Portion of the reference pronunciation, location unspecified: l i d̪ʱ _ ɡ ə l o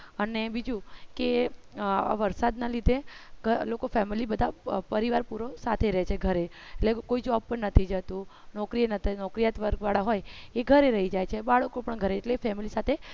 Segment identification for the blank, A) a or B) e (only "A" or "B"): B